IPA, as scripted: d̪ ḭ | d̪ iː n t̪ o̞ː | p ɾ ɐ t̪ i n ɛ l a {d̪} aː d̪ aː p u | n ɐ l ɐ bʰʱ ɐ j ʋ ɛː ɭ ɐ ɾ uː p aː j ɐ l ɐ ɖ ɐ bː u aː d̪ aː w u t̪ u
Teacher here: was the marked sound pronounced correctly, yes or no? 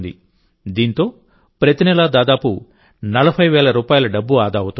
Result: yes